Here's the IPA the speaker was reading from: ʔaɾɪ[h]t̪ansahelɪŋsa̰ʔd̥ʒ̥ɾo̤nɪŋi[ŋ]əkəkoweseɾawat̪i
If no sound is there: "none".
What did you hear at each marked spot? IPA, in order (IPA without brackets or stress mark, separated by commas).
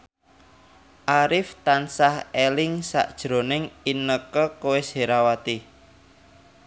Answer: f, n